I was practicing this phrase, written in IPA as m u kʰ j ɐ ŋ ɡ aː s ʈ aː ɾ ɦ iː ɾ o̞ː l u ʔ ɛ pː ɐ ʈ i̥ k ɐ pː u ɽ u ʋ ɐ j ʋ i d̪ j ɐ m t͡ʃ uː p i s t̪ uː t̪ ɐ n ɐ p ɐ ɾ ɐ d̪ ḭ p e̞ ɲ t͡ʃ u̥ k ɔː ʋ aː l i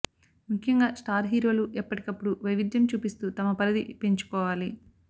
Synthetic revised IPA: m u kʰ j ɐ ŋ ɡ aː s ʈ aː ɾ ɦ iː ɾ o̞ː l u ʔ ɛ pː ɐ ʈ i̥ k ɐ pː u ɽ u ʋ ɐ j ʋ i d̪ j ɐ m t͡ʃ uː p i s t̪ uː t̪ ɐ m ɐ p ɐ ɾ ɐ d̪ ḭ p e̞ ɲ t͡ʃ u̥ k ɔː ʋ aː l i

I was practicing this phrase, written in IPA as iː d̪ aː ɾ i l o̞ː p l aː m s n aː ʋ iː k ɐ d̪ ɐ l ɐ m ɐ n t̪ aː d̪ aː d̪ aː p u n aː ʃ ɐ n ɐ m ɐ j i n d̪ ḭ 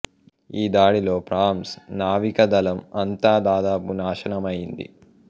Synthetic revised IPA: iː d̪ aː ɽ i l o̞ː p ɾ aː m s n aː ʋ i k ɐ d̪ ɐ l ɐ m ɐ n t̪ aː d̪ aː d̪ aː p u n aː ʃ ɐ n ɐ m ɐ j i n d̪ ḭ

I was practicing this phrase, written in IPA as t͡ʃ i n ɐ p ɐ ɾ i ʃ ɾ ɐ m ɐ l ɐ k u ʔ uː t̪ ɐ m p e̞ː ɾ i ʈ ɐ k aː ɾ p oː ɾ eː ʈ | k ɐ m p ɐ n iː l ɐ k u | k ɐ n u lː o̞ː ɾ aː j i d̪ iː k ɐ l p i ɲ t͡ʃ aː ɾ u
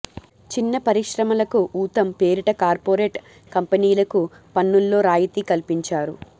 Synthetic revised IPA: t͡ʃ i nː ɐ p ɐ ɾ i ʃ ɾ ɐ m ɐ l ɐ k u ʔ uː t̪ ɐ m p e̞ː ɾ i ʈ ɐ k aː ɾ p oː ɾ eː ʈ | k ɐ m p ɐ n iː l ɐ k u | p ɐ nː u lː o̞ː ɾ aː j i t̪ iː k ɐ l p i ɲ t͡ʃ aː ɾ u

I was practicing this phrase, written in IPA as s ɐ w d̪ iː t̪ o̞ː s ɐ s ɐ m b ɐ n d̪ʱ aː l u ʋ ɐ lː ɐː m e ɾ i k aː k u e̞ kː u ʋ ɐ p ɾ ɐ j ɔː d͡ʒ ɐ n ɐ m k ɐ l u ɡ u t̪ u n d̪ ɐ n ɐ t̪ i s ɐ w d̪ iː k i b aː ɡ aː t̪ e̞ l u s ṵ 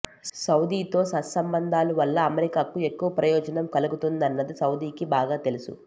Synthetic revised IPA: s ɐ w d̪ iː t̪ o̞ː s ɐ s ɐ m b ɐ n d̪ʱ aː l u ʋ ɐ lː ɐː m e ɾ i k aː k u e̞ kː u ʋ ɐ p ɾ ɐ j ɔː d͡ʒ ɐ n ɐ m k ɐ l u ɡ u t̪ u n d̪ ɐ nː ɐ d̪ i s ɐ w d̪ iː k i b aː ɡ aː t̪ e̞ l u s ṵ

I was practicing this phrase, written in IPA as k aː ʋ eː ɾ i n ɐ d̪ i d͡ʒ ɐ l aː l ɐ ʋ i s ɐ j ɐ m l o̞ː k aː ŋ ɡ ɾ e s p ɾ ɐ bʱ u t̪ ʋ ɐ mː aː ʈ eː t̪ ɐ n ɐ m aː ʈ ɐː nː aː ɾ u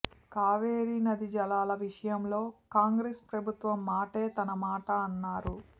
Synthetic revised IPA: k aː ʋ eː ɾ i n ɐ d̪ i d͡ʒ ɐ l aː l ɐ ʋ i ʂ ɐ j ɐ m l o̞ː k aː ŋ ɡ ɾ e s p ɾ ɐ bʱ u t̪ ʋ ɐ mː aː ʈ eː t̪ ɐ n ɐ m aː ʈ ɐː nː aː ɾ u

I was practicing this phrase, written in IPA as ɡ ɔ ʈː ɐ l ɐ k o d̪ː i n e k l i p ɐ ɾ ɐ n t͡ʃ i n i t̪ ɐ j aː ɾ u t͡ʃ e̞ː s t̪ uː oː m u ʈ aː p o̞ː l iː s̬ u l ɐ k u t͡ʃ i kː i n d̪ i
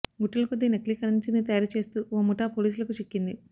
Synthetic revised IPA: ɡ u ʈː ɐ l ɐ k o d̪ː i n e k l i k ɐ ɾ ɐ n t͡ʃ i n i t̪ ɐ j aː ɾ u t͡ʃ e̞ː s t̪ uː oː m u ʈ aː p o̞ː l iː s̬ u l ɐ k u t͡ʃ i kː i n d̪ i

